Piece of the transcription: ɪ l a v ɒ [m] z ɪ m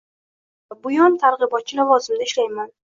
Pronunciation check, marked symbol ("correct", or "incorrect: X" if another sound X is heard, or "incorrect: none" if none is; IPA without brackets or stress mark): incorrect: none